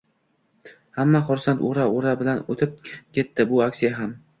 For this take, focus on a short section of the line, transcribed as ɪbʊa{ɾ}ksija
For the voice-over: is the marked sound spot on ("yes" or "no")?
no